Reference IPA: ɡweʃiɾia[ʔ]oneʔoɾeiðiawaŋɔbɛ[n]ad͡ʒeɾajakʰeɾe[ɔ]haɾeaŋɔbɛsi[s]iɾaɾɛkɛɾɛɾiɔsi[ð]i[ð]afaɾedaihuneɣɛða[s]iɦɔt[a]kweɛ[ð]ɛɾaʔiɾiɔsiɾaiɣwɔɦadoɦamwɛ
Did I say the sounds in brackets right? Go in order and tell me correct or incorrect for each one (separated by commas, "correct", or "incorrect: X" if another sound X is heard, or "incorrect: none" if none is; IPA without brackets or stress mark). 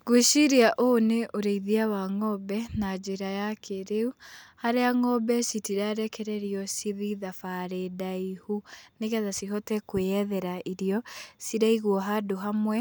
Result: correct, correct, incorrect: u, incorrect: t, correct, correct, correct, incorrect: ɛ, correct